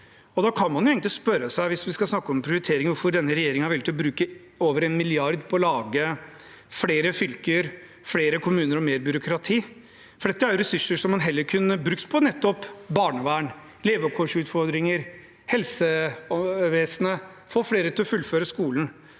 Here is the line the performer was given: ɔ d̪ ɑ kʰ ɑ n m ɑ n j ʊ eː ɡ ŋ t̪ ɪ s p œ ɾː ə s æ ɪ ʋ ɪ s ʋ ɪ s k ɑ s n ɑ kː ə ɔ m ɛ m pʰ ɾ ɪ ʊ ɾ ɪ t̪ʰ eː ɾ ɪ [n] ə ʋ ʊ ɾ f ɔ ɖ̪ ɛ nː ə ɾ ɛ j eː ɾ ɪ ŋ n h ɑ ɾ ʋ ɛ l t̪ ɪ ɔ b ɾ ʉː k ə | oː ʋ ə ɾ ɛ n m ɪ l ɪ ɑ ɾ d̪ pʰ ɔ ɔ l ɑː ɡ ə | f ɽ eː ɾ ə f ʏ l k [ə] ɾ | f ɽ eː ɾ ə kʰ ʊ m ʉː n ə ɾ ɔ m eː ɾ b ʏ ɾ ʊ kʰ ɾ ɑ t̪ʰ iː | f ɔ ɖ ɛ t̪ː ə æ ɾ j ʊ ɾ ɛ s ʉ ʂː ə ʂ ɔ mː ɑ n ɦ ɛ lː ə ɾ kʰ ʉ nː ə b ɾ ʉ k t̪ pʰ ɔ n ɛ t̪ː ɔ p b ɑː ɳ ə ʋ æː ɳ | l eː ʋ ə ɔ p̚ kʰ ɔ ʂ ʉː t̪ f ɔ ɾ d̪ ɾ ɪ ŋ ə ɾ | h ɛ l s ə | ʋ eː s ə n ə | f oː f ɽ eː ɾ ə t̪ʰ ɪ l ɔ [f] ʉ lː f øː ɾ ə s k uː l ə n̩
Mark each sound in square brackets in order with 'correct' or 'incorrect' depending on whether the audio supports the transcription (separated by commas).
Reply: incorrect, correct, correct